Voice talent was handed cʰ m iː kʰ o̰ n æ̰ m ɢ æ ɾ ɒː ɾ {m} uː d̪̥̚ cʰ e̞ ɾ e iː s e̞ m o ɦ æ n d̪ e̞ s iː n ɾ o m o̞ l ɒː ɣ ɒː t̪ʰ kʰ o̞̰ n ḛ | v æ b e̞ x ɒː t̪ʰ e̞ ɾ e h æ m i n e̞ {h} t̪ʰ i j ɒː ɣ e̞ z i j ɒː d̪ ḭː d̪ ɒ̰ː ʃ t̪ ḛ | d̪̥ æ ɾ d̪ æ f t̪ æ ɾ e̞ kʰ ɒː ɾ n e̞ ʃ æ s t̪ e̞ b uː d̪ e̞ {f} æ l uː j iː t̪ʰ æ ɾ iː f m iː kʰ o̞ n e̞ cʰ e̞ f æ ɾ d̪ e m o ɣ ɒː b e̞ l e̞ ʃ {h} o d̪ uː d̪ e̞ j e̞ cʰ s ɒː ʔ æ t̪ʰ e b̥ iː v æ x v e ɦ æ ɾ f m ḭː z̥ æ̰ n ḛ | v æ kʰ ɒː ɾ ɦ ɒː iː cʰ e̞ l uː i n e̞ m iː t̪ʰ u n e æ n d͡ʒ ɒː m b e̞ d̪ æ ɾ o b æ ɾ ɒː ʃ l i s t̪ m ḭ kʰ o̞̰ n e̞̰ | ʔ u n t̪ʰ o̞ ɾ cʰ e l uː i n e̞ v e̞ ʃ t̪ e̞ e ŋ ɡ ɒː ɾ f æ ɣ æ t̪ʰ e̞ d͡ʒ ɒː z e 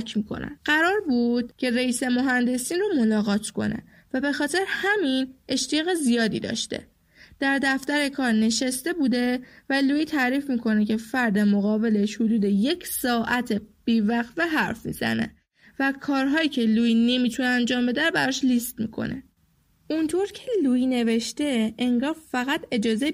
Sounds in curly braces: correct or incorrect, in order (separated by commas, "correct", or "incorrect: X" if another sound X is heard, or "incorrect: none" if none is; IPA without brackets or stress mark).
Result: incorrect: b, incorrect: ʃ, incorrect: v, correct